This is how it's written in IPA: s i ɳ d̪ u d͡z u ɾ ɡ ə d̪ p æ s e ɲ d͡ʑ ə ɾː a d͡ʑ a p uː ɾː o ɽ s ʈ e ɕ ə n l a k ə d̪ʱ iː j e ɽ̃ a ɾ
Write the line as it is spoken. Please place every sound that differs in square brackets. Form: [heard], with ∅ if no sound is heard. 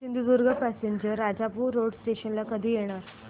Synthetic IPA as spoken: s i [n] d̪ u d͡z u ɾ ɡ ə [∅] p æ s e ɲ d͡ʑ ə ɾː a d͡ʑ a p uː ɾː o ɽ s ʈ e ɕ ə n l a k ə d̪ʱ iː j e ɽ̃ a ɾ